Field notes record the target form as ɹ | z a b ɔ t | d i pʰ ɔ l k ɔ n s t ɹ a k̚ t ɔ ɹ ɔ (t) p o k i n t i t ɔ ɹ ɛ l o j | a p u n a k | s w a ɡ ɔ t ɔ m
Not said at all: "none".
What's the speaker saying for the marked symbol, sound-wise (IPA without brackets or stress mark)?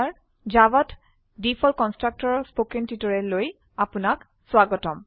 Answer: s